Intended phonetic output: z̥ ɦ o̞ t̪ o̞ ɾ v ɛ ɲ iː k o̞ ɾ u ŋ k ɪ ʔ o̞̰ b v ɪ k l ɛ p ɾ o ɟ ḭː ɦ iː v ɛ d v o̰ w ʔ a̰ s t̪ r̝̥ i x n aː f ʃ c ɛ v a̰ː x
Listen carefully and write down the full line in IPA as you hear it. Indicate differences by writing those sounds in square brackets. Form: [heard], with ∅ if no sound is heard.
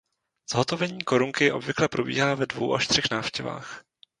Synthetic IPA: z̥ ɦ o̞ t̪ o̞ [∅] v ɛ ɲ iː k o̞ ɾ u ŋ k ɪ ʔ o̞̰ b v ɪ k l ɛ p ɾ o [b] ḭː ɦ [aː] v ɛ d v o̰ w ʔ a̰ [ʃ] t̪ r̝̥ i x n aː f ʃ c ɛ v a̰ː x